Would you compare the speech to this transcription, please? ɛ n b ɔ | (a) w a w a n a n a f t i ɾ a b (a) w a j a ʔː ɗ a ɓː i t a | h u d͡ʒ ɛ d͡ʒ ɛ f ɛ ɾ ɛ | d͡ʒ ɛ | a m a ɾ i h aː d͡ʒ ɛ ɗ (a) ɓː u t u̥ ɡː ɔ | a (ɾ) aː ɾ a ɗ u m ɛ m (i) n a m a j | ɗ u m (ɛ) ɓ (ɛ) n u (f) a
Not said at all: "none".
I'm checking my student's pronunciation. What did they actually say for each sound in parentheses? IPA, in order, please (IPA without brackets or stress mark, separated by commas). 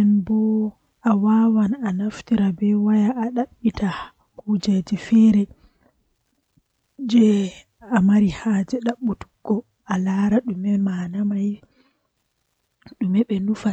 a, ɛ, a, l, a, ɛ, ɛ, f